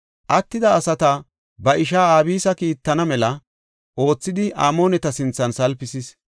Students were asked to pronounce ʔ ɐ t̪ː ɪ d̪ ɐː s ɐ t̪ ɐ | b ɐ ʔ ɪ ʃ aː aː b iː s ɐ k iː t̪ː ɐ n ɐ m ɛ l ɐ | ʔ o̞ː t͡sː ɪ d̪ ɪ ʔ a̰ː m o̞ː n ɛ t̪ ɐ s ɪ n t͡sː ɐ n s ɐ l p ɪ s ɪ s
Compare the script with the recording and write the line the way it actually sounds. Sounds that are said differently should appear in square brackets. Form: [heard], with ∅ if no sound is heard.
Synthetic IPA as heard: ʔ ɐ t̪ː ɪ d̪ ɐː s ɐ t̪ ɐ | b ɐ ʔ ɪ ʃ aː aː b iː s ɐ k iː t̪ː ɐ n ɐ m ɛ l ɐ | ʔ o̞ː t͡sː ɪ d̪ ɪ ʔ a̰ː m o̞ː n ɛ t̪ ɐ s ɪ n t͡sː ɐ n s ɐ l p ɪ s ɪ s